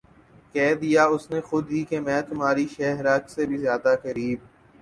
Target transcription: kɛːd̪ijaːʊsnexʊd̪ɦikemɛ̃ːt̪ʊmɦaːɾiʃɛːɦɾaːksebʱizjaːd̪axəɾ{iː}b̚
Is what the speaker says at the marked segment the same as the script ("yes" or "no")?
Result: yes